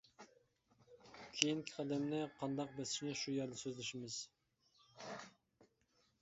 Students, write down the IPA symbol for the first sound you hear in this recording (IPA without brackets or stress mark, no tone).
kʲʰ